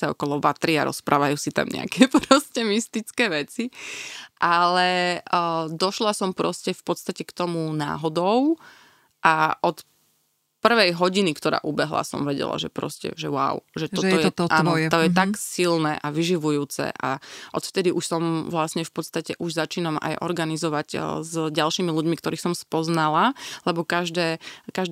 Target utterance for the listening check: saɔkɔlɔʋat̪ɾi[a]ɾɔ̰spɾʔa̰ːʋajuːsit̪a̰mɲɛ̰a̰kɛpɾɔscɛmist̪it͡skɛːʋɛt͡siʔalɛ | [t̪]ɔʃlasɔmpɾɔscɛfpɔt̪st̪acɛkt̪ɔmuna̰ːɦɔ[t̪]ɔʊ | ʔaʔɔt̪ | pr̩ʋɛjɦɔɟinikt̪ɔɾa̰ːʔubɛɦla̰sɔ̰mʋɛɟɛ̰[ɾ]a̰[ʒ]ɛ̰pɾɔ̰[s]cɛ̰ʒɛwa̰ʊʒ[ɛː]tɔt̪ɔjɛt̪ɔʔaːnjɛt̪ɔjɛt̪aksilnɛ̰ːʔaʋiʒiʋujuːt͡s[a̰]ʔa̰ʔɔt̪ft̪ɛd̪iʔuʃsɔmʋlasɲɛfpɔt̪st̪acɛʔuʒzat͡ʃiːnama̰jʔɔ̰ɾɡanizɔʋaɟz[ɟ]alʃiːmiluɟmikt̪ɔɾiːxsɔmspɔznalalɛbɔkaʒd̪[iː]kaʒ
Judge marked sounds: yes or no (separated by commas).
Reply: yes, no, no, no, yes, yes, no, no, yes, no